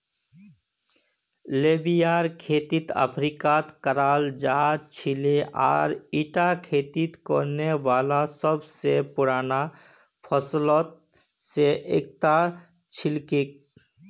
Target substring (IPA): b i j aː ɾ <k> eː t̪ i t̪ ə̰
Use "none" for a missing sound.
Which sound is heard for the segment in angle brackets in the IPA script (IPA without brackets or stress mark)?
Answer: kʰ